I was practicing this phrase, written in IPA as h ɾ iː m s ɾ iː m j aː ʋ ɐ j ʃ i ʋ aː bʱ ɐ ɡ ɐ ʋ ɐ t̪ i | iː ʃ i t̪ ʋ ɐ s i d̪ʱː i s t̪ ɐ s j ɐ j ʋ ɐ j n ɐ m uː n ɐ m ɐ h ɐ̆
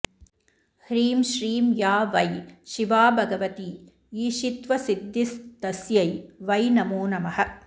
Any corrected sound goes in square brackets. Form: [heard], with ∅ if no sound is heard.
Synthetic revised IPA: h ɾ iː m [ʃ] ɾ iː m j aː ʋ ɐ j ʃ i ʋ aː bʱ ɐ ɡ ɐ ʋ ɐ t̪ i | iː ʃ i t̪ ʋ ɐ s i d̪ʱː i s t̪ ɐ s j ɐ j ʋ ɐ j n ɐ m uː n ɐ m ɐ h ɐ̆